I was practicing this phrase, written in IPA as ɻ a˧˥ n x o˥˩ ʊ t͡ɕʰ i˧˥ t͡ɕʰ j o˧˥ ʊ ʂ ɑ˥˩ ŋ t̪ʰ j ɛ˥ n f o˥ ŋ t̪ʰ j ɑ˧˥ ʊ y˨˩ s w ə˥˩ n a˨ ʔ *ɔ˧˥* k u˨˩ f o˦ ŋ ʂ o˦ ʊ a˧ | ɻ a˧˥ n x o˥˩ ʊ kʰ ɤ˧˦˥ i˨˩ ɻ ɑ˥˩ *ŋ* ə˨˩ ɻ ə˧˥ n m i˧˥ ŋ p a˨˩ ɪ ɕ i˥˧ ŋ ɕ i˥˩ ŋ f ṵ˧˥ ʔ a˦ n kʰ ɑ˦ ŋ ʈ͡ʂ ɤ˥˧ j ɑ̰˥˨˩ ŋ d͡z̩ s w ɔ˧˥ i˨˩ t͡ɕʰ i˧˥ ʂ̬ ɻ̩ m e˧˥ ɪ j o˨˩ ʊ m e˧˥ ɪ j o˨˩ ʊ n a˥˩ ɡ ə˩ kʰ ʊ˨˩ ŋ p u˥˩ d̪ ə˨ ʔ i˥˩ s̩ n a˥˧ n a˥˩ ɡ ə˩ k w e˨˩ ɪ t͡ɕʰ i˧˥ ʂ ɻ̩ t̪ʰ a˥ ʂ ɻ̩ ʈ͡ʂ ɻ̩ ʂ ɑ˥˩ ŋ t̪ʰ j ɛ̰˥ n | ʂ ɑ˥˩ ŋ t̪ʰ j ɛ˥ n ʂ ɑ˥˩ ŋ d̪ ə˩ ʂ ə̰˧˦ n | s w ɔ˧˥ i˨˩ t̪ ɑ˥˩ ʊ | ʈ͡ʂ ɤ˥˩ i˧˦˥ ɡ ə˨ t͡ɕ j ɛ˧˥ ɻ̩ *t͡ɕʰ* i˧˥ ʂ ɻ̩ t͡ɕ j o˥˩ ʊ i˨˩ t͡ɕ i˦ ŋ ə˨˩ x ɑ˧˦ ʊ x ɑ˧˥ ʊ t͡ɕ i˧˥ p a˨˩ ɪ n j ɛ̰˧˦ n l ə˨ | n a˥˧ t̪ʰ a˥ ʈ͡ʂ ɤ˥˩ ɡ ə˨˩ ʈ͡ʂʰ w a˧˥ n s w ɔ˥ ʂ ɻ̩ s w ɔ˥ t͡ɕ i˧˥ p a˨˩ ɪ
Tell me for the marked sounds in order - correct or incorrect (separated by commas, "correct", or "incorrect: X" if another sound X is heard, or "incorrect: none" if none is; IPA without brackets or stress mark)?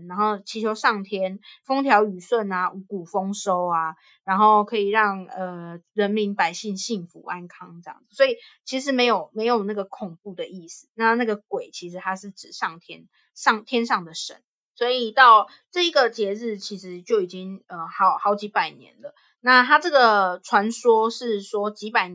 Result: incorrect: u˧˥, correct, correct